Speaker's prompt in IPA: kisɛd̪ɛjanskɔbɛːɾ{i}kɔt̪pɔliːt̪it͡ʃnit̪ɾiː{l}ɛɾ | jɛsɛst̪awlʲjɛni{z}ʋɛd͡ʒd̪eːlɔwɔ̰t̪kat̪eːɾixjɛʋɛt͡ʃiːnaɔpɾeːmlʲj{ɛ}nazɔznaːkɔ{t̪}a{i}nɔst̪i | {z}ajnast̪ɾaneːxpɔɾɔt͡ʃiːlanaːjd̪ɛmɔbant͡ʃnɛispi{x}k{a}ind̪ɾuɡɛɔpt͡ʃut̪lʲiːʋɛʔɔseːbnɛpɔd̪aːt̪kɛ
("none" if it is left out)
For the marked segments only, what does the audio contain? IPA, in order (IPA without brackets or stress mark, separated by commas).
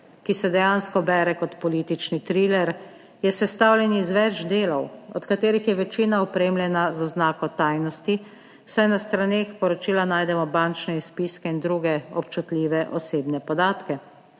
ɛ, l, z, ɛ, t̪, j, s, s, ɛ